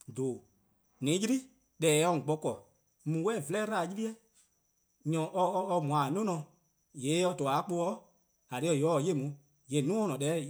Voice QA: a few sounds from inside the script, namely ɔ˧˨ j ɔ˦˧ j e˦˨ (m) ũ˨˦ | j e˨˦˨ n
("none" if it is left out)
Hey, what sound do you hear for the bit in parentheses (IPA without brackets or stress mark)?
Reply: m